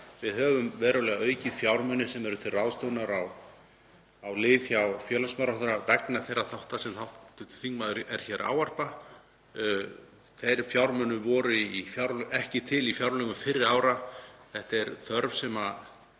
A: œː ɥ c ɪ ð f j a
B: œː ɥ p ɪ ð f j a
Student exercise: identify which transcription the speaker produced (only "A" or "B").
A